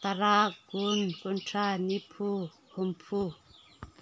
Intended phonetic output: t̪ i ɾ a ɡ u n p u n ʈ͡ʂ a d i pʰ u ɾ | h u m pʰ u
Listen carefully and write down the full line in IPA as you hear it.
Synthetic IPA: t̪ a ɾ a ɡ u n k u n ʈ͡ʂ a n i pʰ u | h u m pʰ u